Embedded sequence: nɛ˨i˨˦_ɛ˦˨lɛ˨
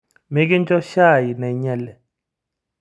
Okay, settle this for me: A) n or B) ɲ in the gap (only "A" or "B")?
B